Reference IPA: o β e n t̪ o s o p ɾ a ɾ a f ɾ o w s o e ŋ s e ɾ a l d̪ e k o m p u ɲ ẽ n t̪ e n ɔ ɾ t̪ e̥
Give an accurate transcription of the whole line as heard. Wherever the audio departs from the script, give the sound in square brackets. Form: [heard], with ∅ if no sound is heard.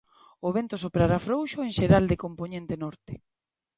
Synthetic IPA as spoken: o β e n t̪ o s o p ɾ a ɾ a f ɾ o w [ʃ] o e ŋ [ʃ] e ɾ a l d̪ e k o m p [o] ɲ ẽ n t̪ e n ɔ ɾ t̪ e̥